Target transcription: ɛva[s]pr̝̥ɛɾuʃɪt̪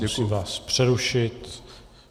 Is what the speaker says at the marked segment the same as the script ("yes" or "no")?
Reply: yes